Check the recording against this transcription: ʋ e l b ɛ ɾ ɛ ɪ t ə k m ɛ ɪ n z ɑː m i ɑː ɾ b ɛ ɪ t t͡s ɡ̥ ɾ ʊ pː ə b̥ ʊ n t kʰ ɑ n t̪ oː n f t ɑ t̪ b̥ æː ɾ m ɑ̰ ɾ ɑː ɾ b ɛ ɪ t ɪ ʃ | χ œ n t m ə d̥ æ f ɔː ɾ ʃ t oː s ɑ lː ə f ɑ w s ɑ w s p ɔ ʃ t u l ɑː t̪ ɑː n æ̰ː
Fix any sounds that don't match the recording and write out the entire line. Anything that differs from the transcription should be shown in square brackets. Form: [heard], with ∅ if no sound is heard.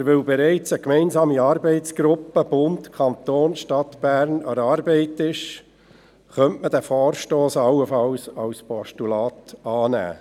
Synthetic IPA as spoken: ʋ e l b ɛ ɾ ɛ ɪ [t͡s] ə k m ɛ ɪ n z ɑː m i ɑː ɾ b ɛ ɪ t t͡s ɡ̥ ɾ ʊ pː ə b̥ ʊ n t kʰ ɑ n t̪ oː n [ʃ] t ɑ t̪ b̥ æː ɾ [n] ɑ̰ ɾ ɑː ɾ b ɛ ɪ t ɪ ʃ | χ œ n t m ə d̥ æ f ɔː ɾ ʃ t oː s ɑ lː ə f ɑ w s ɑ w s p ɔ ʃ t u l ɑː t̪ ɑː n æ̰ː